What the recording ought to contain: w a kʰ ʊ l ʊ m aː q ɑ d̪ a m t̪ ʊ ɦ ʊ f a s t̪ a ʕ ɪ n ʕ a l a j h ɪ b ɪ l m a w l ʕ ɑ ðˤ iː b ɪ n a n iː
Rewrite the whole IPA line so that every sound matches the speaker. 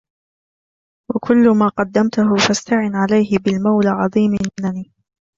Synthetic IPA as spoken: w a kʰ ʊ lː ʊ m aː q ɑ d̪ː a m t̪ ʊ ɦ ʊ f a s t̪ a ʕ ɪ n ʕ a l a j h ɪ b ɪ l m a w l ʕ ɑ ðˤ iː m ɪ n a n iː